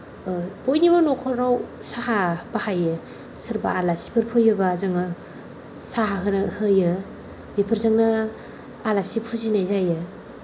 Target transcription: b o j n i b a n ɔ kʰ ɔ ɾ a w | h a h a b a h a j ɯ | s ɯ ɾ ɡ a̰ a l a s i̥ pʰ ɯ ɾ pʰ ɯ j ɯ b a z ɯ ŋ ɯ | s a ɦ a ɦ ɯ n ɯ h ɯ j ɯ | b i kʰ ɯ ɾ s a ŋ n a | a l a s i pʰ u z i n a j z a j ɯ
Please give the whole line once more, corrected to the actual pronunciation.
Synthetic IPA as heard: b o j n i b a n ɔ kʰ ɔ ɾ a w | s a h a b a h a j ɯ | s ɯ ɾ b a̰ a l a s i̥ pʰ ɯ ɾ pʰ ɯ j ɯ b a z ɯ ŋ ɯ | s a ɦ a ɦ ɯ n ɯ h ɯ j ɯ | b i pʰ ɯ ɾ z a ŋ n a | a l a s i pʰ u z i n a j z a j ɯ